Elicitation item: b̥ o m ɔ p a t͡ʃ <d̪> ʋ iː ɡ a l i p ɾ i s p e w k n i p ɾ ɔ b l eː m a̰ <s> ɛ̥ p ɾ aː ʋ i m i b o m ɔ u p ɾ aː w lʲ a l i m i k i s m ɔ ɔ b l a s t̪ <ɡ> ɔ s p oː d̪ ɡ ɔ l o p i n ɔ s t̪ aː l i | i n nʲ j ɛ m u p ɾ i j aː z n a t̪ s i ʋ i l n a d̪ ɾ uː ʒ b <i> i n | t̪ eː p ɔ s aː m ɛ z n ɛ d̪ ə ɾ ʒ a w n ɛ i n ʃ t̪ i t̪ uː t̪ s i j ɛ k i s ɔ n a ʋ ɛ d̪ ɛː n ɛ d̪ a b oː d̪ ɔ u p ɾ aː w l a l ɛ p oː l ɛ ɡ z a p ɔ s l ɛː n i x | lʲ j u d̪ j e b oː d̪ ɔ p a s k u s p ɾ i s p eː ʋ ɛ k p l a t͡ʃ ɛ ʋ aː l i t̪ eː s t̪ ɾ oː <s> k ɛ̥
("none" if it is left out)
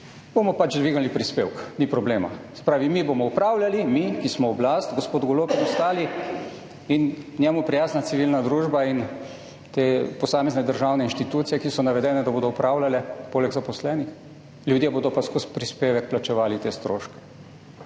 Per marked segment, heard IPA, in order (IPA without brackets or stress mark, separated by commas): d̪, s, ɡ, a, ʃ